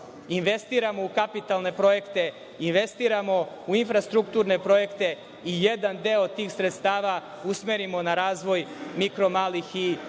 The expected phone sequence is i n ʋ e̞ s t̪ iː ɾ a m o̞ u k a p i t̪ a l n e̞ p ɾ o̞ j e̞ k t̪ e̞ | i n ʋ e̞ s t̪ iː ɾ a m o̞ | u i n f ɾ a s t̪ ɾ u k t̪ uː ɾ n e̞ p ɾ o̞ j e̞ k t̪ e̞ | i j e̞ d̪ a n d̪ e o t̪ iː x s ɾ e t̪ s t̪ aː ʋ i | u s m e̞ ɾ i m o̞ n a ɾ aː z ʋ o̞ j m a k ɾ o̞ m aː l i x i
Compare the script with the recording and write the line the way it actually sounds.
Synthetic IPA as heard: i n ʋ e̞ s t̪ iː ɾ a m o̞ u k a p i t̪ a l n e̞ p ɾ o̞ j e̞ k t̪ e̞ | i n ʋ e̞ s t̪ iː ɾ a m o̞ | u i n f ɾ a s t̪ ɾ u k t̪ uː ɾ n e̞ p ɾ o̞ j e̞ k t̪ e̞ | i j e̞ d̪ a n d̪ e o t̪ iː x s ɾ e t̪ s t̪ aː ʋ a | u s m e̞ ɾ i m o̞ n a ɾ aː z ʋ o̞ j m i k ɾ o̞ m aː l i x i

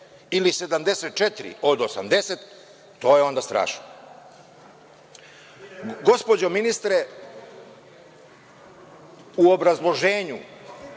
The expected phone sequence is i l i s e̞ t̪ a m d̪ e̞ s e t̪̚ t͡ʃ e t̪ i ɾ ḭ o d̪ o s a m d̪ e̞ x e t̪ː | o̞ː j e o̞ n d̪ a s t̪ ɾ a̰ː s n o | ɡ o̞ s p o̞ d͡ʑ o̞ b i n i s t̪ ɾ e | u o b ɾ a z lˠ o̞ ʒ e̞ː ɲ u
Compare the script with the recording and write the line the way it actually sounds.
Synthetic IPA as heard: i l i s e̞ d̪ a m d̪ e̞ s e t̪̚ t͡ʃ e t̪ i ɾ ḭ o d̪ o s a m d̪ e̞ s e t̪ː | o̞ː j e o̞ n d̪ a s t̪ ɾ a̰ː ʃ n o | ɡ o̞ s p o̞ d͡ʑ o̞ m i n i s t̪ ɾ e | u o b ɾ a z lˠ o̞ ʒ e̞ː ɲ u

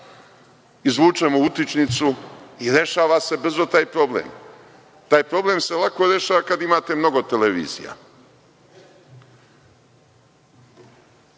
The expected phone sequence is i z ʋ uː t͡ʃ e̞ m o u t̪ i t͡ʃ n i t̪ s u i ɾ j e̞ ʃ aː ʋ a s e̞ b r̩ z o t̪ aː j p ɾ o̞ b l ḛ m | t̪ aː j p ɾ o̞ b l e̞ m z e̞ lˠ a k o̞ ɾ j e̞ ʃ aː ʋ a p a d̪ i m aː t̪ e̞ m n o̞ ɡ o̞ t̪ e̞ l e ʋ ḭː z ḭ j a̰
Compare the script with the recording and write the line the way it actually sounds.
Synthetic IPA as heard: i z ʋ uː t͡ʃ e̞ m o u t̪ i t͡ʃ n i t̪ s u i ɾ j e̞ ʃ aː ʋ a s e̞ b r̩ z o t̪ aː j p ɾ o̞ b l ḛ m | t̪ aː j p ɾ o̞ b l e̞ m s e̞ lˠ a k o̞ ɾ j e̞ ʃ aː ʋ a k a d̪ i m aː t̪ e̞ m n o̞ ɡ o̞ t̪ e̞ l e ʋ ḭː z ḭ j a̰

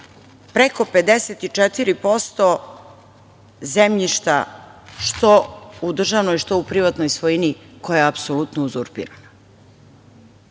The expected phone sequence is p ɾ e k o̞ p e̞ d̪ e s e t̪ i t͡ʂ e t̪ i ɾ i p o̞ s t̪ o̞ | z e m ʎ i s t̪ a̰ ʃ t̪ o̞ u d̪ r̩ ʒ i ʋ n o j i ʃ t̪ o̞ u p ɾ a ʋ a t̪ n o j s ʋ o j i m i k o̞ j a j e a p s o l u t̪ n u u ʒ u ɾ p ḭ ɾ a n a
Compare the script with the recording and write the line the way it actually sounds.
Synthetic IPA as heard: p ɾ e k o̞ p e̞ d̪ e s e t̪ i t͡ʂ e t̪ i ɾ i p o̞ s t̪ o̞ | z e m ʎ i ʃ t̪ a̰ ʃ t̪ o̞ u d̪ r̩ ʒ a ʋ n o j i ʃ t̪ o̞ u p ɾ i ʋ a t̪ n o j s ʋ o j i n i k o̞ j a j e a p s o l u t̪ n o u z u ɾ p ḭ ɾ a n a

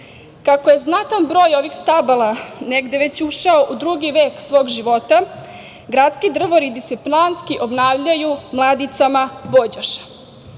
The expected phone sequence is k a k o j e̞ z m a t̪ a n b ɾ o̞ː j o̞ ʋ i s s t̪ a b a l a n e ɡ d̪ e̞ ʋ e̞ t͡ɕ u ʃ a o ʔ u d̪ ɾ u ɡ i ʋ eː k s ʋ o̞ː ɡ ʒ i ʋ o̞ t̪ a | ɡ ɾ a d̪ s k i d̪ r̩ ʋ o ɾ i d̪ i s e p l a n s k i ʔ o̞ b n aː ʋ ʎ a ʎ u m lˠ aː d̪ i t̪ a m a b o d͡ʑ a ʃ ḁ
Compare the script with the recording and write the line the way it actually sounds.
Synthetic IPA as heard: k a k o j e̞ z n a t̪ a n b ɾ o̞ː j o̞ ʋ i x s t̪ a b a l a n e ɡ d̪ e̞ ʋ e̞ t͡ɕ u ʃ a o ʔ u d̪ ɾ u ɡ i ʋ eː k s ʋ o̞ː ɡ ʒ i ʋ o̞ t̪ a | ɡ ɾ a t̪ s k i d̪ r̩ ʋ o ɾ i d̪ i s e p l a n s k i ʔ o̞ b n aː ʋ ʎ a j u m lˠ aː d̪ i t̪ a m a b o d͡ʑ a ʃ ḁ

